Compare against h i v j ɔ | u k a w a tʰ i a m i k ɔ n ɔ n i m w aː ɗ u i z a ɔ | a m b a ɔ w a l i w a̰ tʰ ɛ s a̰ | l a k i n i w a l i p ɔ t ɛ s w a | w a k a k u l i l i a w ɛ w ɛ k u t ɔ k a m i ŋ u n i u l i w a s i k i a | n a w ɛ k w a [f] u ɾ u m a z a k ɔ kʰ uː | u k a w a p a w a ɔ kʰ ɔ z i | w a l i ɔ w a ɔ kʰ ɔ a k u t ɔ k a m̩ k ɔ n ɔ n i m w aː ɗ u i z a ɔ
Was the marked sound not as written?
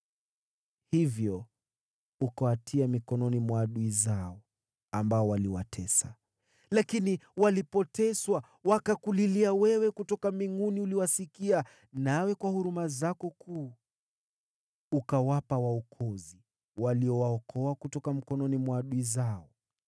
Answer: yes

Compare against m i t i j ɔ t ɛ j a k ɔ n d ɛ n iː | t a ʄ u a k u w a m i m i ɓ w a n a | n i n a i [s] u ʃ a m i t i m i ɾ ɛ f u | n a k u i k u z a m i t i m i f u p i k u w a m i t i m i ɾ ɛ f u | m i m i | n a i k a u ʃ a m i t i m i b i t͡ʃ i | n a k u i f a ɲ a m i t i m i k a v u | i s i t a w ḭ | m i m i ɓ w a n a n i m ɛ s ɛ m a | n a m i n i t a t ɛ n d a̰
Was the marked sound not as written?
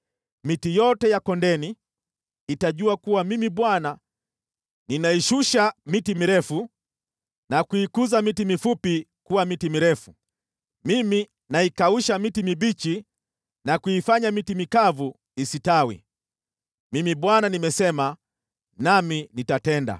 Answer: yes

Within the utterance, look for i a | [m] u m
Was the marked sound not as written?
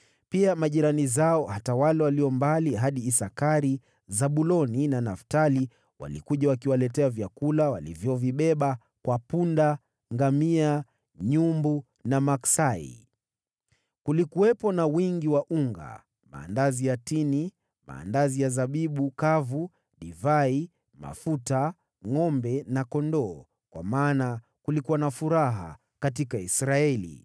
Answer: yes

